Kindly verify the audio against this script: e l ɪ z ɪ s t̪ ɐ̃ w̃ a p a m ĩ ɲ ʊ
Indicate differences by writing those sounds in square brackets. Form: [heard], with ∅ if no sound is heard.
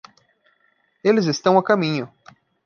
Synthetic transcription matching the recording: e l ɪ z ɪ s t̪ ɐ̃ w̃ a [k] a m ĩ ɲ ʊ